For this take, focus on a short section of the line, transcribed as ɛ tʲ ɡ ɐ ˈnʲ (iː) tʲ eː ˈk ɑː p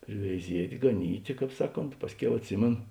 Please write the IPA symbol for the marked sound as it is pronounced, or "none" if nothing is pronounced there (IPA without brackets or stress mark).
iː